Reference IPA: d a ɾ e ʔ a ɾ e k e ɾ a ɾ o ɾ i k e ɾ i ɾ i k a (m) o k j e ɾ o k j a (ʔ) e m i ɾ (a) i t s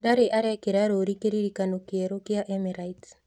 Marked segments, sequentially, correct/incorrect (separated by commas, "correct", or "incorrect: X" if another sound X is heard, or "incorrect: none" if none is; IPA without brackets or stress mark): incorrect: n, correct, correct